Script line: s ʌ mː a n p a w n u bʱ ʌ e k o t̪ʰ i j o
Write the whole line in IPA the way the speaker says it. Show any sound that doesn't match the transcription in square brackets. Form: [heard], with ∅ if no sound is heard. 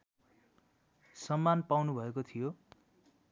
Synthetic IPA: s ʌ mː a n p a w n u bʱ ʌ e k o t̪ʰ i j o

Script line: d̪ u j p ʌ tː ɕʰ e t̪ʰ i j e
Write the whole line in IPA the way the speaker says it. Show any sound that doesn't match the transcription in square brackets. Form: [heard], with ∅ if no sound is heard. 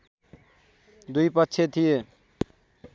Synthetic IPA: d̪ u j p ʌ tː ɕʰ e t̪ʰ i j e

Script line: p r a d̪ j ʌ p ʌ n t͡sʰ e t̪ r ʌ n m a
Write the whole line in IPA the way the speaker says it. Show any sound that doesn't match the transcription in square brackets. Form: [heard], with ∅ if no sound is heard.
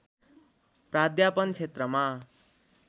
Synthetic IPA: p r a d̪ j [a] p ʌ n t͡sʰ e t̪ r ʌ [∅] m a

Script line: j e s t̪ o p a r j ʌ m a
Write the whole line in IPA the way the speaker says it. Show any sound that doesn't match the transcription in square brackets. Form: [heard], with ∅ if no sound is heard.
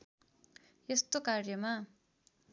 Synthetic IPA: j e s t̪ o [k] a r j ʌ m a

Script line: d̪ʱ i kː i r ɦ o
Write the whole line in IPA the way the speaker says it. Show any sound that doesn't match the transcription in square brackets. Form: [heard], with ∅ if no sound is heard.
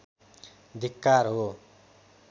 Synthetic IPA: d̪ʱ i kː [a] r ɦ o

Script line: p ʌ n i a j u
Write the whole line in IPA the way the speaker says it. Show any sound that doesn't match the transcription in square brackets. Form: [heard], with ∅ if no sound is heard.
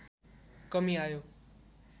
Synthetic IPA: [k] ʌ [m] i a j [o]

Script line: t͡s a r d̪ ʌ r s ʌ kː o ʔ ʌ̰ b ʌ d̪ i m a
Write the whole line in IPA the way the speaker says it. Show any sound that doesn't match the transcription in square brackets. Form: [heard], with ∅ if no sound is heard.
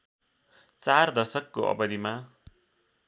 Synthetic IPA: t͡s a r d̪ ʌ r s ʌ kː o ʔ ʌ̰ b ʌ d̪ i m a

